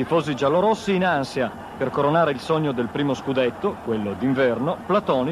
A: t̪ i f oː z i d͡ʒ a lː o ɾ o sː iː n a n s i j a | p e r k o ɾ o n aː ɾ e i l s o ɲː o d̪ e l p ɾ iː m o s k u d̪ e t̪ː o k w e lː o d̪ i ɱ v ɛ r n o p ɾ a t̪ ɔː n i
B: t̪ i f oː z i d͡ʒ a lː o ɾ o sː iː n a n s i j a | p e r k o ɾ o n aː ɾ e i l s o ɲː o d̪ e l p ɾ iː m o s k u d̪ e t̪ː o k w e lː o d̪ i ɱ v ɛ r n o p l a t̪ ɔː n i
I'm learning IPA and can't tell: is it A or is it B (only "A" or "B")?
B